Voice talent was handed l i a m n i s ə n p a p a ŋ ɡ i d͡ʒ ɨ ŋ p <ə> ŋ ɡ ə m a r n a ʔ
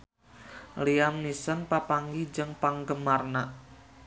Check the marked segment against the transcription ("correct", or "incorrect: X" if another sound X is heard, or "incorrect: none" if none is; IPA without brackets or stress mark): incorrect: a